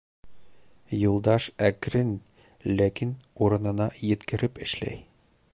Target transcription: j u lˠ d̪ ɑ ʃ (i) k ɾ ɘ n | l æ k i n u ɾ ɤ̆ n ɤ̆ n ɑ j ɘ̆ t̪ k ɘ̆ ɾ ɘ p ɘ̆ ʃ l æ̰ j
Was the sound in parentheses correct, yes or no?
no